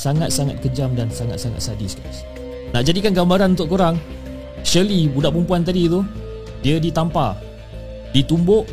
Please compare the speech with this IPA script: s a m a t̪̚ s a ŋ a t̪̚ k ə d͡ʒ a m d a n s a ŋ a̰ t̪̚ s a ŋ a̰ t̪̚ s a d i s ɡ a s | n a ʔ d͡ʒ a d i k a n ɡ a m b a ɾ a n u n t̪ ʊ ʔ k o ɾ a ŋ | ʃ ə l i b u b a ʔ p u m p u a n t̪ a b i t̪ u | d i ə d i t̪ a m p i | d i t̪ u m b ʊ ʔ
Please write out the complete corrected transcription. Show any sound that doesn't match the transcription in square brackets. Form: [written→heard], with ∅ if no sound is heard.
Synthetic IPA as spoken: s a [m→ŋ] a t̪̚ s a ŋ a t̪̚ k ə d͡ʒ a m d a n s a ŋ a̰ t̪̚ s a ŋ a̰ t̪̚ s a d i s ɡ a s | n a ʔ d͡ʒ a d i k a n ɡ a m b a ɾ a n u n t̪ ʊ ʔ k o ɾ a ŋ | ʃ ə l i b u [b→d] a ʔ p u m p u a n t̪ a [b→d] i t̪ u | d i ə d i t̪ a m p [i→a] | d i t̪ u m b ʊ ʔ